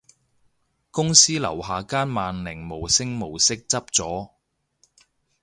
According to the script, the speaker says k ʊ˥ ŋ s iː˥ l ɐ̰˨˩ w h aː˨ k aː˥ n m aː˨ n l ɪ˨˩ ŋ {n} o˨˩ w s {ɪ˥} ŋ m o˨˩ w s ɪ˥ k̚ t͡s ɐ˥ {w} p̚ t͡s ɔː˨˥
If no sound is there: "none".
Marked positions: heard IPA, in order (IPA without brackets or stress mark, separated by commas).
m, ɪ˥, none